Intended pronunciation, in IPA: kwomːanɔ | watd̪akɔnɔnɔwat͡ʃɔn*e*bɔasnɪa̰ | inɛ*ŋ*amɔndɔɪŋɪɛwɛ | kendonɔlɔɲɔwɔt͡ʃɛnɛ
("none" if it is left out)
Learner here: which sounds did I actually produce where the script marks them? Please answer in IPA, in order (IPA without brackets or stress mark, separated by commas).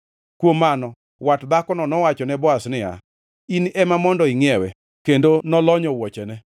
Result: ɛ, m